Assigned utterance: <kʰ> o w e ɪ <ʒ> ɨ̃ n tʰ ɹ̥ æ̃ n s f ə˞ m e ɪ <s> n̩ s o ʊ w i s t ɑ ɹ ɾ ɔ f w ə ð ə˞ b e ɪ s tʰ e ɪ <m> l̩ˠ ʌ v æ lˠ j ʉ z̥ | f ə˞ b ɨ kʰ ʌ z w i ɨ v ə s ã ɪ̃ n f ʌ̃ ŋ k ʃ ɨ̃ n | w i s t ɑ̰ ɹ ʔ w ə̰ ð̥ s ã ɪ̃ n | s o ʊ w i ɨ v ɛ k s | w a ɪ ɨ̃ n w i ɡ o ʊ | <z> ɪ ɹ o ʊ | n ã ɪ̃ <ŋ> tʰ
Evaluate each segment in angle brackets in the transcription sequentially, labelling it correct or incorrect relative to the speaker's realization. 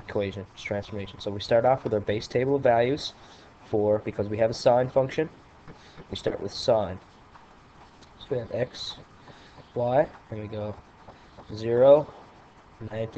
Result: correct, correct, incorrect: ʃ, incorrect: b, correct, incorrect: n

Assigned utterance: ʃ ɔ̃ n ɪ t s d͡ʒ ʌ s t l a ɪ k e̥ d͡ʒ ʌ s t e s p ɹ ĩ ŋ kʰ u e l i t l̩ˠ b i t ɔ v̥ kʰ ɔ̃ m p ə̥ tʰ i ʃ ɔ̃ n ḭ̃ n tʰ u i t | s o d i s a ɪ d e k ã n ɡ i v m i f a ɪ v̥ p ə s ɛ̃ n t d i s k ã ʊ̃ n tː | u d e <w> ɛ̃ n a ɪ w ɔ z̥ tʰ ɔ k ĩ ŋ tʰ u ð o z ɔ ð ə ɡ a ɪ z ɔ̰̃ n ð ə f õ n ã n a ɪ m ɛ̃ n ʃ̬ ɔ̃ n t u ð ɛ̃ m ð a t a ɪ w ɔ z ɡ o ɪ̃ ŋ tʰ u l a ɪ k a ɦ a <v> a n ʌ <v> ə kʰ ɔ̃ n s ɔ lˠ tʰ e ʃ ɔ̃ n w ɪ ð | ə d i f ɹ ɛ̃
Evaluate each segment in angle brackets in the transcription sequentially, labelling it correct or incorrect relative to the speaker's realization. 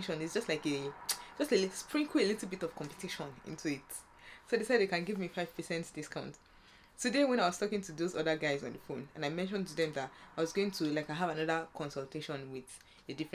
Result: correct, correct, incorrect: ð

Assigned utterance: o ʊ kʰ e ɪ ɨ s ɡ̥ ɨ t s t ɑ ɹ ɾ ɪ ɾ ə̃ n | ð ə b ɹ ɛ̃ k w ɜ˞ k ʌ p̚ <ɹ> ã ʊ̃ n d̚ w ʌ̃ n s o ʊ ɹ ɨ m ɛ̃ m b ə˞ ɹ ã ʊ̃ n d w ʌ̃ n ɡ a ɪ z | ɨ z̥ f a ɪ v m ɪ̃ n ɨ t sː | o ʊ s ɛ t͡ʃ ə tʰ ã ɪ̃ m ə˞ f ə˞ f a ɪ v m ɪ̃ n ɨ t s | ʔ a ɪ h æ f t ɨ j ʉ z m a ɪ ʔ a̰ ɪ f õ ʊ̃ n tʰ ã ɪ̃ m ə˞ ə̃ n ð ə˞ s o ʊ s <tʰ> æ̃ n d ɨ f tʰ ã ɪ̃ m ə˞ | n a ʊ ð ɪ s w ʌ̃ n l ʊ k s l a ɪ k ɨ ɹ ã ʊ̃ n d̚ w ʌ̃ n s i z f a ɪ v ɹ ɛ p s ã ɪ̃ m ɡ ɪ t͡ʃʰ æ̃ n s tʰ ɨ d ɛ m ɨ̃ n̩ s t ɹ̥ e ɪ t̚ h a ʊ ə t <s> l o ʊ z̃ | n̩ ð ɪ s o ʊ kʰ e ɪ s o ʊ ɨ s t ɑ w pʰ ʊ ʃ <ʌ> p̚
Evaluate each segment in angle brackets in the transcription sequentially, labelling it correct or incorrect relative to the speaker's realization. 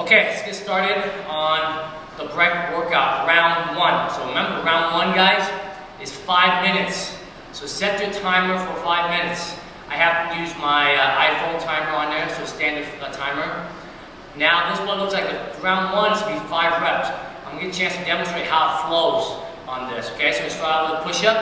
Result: correct, incorrect: t, incorrect: f, correct

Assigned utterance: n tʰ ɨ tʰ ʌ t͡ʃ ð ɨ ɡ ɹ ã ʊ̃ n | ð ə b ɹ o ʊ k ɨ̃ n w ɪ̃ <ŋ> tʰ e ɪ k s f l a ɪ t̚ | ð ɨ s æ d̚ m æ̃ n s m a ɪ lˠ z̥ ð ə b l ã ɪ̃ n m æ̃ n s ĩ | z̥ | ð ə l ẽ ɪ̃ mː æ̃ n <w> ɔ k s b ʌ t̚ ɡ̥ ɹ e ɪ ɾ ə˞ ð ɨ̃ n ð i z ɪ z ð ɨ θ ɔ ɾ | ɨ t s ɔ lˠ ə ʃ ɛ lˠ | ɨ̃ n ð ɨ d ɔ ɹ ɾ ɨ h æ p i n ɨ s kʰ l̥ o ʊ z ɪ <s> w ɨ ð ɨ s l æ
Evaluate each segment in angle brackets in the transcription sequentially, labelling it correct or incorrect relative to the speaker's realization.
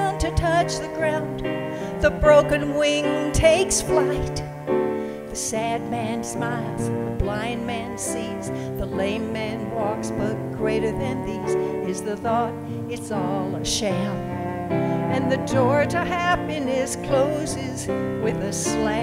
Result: correct, correct, incorrect: z

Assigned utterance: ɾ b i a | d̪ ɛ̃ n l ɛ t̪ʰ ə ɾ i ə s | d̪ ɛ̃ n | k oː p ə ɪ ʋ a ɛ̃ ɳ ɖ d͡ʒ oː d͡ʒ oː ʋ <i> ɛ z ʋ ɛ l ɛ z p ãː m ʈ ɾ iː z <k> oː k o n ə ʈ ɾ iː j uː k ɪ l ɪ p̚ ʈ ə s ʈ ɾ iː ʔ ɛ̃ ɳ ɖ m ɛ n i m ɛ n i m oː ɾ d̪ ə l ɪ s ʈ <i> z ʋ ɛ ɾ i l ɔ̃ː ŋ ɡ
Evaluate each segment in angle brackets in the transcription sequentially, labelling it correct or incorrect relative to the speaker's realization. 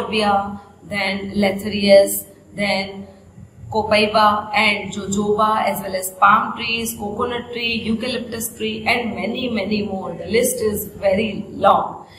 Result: incorrect: a, correct, incorrect: ɪ

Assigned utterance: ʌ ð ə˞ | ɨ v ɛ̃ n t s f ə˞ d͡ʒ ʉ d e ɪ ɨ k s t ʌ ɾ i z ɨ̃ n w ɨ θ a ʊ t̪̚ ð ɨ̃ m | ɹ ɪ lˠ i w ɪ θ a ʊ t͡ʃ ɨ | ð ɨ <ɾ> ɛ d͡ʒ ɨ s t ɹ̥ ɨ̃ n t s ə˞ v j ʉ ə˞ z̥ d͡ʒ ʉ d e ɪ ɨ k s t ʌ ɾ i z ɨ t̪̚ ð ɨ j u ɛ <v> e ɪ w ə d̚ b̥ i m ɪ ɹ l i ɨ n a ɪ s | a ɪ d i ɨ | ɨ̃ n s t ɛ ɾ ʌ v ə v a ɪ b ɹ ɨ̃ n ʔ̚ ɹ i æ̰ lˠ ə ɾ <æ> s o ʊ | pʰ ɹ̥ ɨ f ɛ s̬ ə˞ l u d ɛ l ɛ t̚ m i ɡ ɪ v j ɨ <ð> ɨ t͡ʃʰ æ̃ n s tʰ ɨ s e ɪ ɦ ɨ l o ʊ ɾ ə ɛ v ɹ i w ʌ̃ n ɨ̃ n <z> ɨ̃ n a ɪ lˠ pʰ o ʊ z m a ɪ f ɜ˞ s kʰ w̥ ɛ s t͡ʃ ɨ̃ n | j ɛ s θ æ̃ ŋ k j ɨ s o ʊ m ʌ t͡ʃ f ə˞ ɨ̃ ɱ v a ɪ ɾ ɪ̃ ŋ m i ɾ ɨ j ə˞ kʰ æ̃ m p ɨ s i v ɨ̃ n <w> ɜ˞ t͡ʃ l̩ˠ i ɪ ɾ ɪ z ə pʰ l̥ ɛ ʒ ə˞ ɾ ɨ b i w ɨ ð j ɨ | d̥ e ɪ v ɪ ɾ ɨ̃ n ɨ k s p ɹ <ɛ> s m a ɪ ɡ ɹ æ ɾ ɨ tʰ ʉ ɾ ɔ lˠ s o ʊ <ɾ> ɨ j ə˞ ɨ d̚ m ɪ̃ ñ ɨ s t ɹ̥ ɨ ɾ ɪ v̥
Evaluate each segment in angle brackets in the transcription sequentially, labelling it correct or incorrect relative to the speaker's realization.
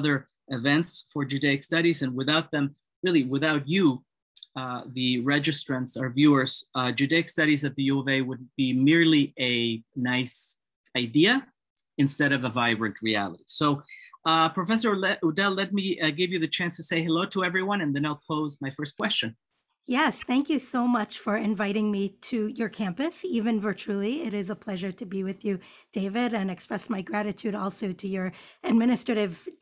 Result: incorrect: ɹ, correct, incorrect: i, correct, incorrect: ð, incorrect: v, correct, correct

